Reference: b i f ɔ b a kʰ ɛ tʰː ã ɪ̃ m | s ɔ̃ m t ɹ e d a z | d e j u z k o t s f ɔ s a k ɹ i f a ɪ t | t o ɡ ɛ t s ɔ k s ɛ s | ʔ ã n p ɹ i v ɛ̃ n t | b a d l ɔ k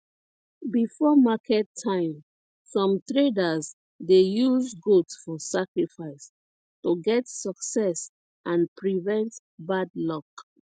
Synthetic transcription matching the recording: b i f ɔ m a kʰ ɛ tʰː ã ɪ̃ m | s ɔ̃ m t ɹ e d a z | d e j u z ɡ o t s f ɔ s a k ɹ i f a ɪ s | t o ɡ ɛ t s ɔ k s ɛ s | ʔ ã n p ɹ i v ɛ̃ n t | b a d l ɔ k